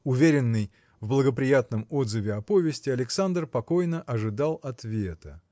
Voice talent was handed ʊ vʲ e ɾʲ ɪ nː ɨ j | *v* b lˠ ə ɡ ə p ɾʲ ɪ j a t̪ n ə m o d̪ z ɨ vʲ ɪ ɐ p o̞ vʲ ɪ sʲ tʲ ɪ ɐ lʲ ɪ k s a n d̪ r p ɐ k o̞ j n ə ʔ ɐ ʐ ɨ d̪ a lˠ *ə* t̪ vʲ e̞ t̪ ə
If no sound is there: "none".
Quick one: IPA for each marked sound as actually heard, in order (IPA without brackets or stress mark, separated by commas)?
v, ɐ